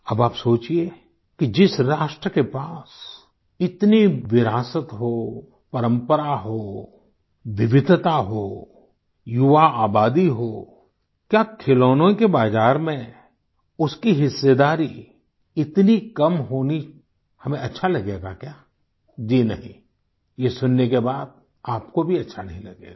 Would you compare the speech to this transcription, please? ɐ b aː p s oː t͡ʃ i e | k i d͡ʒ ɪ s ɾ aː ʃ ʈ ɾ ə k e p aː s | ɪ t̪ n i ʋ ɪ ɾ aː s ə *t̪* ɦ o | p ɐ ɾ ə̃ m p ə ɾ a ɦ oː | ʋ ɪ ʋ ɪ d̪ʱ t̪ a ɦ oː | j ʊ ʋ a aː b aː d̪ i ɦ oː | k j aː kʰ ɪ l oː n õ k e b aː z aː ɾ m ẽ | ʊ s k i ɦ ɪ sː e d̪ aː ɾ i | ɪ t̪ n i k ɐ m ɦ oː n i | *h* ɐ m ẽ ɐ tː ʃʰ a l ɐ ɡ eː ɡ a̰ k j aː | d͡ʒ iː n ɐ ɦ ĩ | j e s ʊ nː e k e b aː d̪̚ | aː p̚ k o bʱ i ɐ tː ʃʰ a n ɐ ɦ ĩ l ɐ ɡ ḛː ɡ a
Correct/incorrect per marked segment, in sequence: correct, correct

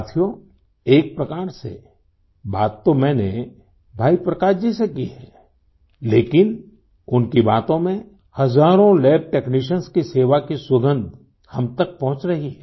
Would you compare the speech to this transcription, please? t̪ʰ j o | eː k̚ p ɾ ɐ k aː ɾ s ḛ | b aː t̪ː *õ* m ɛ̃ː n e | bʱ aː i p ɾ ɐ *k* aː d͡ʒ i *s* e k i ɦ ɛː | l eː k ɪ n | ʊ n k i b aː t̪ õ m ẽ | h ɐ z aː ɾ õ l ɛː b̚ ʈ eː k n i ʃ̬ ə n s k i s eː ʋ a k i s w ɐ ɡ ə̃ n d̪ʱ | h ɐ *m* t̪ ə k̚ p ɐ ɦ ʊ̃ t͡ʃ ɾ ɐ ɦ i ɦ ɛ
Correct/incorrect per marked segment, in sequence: incorrect: o, correct, correct, correct

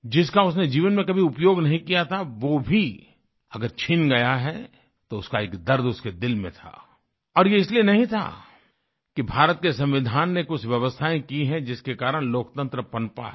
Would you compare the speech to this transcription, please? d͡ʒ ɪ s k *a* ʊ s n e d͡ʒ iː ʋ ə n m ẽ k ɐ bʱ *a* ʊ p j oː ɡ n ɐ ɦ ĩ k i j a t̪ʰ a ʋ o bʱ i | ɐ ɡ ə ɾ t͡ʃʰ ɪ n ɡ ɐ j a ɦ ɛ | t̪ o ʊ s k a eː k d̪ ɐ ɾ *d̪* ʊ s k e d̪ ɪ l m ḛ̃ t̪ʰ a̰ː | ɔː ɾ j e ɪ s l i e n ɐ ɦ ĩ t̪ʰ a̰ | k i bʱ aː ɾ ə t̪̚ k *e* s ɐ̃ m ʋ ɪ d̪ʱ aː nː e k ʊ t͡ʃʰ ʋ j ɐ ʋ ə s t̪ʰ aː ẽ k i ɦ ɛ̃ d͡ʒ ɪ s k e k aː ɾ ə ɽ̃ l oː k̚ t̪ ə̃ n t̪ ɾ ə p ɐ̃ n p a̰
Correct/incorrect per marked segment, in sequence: correct, incorrect: i, correct, correct

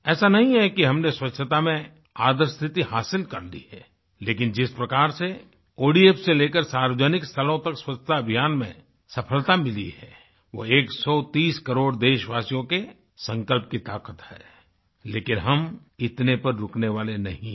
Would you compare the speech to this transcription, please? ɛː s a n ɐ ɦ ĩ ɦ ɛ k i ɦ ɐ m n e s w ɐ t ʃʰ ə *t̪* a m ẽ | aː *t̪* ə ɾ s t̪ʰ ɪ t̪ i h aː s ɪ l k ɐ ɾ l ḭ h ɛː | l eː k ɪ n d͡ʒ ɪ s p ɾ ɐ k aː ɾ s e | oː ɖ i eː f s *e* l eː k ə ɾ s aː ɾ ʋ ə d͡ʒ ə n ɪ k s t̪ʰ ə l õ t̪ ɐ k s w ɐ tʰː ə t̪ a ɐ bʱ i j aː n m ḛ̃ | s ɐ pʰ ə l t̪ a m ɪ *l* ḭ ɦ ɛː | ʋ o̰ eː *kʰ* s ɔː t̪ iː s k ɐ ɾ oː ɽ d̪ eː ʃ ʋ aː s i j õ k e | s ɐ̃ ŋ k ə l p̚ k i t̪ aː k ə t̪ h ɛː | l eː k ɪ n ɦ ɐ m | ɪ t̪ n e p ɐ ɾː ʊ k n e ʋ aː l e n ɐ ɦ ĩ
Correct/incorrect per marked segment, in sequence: correct, incorrect: d̪, correct, correct, incorrect: k

